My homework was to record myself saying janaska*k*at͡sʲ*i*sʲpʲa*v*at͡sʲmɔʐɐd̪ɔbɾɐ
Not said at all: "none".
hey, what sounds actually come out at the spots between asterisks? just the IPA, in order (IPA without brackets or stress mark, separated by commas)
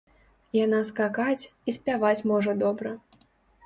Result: k, i, v